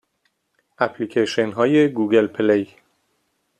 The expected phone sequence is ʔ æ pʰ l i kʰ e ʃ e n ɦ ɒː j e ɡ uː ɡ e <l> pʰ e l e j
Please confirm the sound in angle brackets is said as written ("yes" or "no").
yes